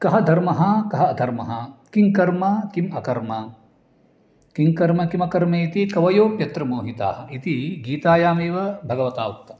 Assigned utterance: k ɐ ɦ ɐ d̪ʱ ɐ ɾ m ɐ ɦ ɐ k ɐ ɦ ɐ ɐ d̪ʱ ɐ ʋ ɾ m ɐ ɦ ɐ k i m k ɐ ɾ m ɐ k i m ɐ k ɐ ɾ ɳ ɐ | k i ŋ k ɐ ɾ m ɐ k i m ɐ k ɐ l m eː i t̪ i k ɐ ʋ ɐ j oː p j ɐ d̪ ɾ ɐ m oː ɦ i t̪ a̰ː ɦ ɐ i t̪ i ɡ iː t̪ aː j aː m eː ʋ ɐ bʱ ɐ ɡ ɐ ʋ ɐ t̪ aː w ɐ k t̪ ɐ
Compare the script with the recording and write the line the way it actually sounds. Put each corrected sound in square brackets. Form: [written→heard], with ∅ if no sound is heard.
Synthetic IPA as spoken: k ɐ ɦ ɐ d̪ʱ ɐ ɾ m ɐ ɦ ɐ k ɐ ɦ ɐ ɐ d̪ʱ ɐ [ʋ→∅] ɾ m ɐ ɦ ɐ k i [m→ŋ] k ɐ ɾ m ɐ k i m ɐ k ɐ ɾ [ɳ→m] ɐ | k i ŋ k ɐ ɾ m ɐ k i m ɐ k ɐ [l→ɾ] m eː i t̪ i k ɐ ʋ ɐ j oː p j ɐ [d̪→t̪] ɾ ɐ m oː ɦ i t̪ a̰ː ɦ ɐ i t̪ i ɡ iː t̪ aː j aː m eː ʋ ɐ bʱ ɐ ɡ ɐ ʋ ɐ t̪ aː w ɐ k t̪ ɐ